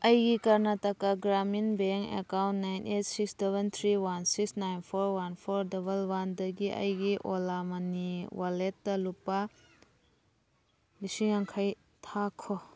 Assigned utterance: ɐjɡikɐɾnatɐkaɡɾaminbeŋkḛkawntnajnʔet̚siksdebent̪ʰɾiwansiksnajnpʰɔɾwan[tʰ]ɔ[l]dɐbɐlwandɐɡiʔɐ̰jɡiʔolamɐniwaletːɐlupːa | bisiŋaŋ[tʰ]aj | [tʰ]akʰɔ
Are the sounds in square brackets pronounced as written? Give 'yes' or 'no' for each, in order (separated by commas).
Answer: no, no, no, yes